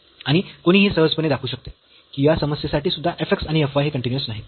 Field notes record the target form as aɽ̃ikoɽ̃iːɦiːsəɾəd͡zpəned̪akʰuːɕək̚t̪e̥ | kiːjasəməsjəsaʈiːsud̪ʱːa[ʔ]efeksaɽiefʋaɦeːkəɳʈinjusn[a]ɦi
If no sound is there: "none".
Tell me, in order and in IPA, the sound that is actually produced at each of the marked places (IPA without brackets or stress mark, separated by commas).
ʔ, a